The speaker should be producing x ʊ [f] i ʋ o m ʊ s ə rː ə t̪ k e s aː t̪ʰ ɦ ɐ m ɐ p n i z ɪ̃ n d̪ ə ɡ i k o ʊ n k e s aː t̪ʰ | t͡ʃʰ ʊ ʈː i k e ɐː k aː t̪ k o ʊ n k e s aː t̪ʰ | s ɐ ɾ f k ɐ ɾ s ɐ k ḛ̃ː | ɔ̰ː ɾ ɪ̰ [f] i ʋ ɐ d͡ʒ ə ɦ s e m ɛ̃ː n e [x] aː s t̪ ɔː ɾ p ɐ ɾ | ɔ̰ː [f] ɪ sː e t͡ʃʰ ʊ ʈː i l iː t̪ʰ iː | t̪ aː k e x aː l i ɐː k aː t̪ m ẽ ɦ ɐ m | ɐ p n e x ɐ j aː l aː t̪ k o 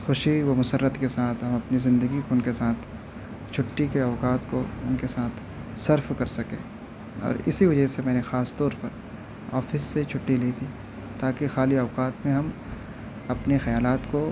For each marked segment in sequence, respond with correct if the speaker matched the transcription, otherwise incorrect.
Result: incorrect: ʃ, incorrect: s, correct, correct

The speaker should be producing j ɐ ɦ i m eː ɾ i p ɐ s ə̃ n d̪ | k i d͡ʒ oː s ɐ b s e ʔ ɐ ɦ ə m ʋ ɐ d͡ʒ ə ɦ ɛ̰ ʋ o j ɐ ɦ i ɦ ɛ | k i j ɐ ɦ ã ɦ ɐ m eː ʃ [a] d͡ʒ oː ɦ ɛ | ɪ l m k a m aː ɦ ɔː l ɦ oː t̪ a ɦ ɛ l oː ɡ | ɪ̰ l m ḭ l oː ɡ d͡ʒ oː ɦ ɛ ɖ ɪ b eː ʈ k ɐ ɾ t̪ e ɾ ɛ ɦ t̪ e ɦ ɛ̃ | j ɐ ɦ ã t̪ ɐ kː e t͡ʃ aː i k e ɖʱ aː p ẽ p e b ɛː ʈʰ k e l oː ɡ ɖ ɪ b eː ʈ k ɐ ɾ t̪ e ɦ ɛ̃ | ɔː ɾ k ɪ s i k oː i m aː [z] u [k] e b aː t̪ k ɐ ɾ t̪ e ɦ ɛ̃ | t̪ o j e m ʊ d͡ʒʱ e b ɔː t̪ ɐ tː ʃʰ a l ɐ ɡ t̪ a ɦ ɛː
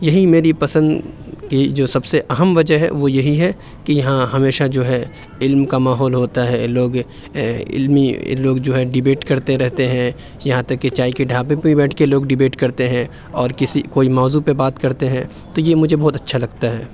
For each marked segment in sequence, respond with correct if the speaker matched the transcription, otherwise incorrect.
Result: correct, correct, incorrect: p

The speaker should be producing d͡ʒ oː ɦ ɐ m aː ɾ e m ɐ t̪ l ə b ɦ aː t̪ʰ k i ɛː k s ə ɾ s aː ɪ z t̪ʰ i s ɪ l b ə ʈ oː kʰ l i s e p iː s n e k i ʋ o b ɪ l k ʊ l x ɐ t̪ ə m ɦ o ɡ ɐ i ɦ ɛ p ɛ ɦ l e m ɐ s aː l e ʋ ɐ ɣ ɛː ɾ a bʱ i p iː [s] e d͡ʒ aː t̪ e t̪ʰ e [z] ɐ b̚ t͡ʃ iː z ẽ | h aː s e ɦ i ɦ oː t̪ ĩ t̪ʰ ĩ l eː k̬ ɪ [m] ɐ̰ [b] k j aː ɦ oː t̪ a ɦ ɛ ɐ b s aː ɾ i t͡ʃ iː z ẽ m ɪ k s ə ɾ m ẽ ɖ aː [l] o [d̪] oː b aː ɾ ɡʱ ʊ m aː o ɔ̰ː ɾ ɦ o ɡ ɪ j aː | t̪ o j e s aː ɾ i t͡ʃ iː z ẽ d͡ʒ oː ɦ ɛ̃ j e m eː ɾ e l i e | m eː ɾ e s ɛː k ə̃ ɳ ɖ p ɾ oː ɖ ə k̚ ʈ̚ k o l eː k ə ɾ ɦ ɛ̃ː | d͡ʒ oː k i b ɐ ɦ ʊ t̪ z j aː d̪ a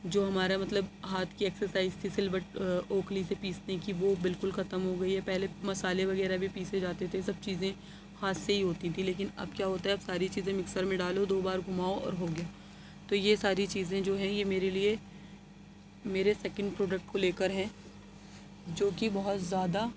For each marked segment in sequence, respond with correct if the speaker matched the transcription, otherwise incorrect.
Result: correct, incorrect: s, incorrect: n, correct, correct, correct

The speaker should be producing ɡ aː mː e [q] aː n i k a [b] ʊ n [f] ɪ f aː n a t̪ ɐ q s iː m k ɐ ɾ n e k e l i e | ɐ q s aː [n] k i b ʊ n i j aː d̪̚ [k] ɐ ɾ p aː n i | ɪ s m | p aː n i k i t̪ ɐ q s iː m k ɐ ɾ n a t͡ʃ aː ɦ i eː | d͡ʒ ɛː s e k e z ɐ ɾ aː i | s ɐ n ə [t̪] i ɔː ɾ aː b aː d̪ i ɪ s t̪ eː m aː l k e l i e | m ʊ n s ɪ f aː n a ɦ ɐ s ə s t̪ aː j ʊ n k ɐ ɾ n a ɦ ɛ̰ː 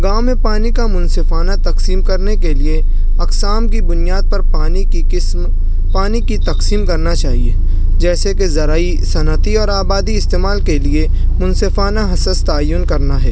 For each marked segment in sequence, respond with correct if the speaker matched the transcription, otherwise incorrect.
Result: incorrect: p, incorrect: m, incorrect: s, incorrect: m, incorrect: p, correct

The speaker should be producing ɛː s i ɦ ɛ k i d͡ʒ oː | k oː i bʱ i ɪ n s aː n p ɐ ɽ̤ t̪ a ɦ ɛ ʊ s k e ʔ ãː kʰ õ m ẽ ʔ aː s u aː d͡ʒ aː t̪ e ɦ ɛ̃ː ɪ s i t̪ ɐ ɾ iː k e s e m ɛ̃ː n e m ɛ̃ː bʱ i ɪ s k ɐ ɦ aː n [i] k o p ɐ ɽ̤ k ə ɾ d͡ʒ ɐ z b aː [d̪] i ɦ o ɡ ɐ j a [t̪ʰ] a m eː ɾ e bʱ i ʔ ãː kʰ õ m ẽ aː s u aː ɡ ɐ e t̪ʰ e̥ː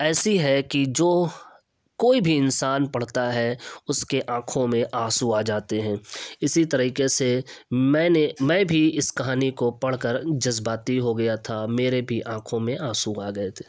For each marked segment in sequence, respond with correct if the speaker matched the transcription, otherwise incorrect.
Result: correct, incorrect: t̪, correct

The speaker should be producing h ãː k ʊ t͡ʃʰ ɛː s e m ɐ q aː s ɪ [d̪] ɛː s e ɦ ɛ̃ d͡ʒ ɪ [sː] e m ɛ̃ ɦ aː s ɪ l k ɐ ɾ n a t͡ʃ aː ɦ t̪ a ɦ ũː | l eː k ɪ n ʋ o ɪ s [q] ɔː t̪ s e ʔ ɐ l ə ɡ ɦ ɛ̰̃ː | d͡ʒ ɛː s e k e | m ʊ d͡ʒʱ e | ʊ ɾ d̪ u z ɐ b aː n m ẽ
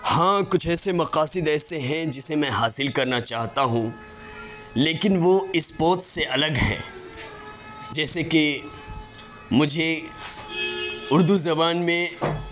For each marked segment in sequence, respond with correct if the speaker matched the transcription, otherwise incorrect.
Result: correct, incorrect: s, incorrect: p

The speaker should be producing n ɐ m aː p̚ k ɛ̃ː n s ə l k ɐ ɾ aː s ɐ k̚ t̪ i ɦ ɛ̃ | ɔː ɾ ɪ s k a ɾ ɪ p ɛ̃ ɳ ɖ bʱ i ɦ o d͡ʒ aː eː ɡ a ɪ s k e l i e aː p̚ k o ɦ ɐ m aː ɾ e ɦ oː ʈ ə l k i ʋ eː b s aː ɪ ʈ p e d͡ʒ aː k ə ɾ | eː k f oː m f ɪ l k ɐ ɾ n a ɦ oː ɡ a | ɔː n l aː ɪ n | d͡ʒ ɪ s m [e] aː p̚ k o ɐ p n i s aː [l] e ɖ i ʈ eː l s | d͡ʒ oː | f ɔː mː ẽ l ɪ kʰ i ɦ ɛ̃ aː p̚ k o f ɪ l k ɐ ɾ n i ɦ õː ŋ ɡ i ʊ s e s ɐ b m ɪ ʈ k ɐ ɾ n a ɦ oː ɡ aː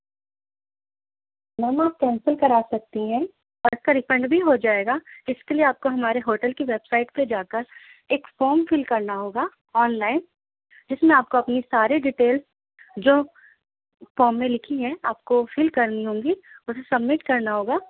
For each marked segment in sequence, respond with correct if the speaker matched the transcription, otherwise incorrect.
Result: incorrect: ẽ, incorrect: ɾ

